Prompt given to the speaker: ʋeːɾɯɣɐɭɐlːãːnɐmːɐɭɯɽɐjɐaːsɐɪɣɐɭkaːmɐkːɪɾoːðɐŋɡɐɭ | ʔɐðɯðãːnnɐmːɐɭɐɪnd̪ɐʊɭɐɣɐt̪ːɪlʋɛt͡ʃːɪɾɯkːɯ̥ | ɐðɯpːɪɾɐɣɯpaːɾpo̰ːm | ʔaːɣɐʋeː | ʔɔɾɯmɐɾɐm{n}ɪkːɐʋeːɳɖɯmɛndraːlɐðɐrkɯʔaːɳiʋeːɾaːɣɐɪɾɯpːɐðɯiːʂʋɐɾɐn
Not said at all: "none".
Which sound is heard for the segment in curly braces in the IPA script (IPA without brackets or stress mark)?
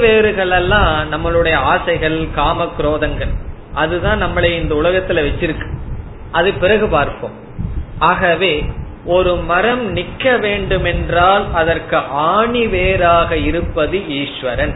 n